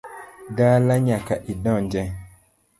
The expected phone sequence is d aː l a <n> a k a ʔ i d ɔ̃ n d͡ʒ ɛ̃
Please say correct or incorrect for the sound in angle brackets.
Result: incorrect